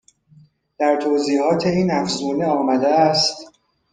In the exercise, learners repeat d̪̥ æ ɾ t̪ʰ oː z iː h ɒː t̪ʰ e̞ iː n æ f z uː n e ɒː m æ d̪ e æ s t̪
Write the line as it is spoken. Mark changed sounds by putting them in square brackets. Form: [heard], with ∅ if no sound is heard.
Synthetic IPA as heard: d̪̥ æ ɾ t̪ʰ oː z iː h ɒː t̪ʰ e̞ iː n æ f z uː n e ɒː m æ d̪ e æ s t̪